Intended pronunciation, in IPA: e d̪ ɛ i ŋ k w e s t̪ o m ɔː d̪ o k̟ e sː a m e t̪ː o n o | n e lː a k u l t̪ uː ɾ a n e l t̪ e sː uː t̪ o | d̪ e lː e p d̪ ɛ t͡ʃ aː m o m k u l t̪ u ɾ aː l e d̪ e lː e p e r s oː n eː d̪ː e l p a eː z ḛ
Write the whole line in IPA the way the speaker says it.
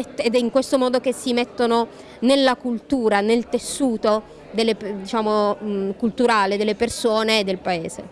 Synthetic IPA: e d̪ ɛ i ŋ k w e s t̪ o m ɔː d̪ o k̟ e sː i m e t̪ː o n o | n e lː a k u l t̪ uː ɾ a n e l t̪ e sː uː t̪ o | d̪ e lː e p d̪ i t͡ʃ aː m o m k u l t̪ u ɾ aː l e d̪ e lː e p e r s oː n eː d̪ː e l p a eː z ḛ